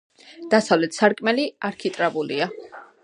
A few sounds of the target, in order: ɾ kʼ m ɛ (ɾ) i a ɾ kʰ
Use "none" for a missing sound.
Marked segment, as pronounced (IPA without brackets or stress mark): l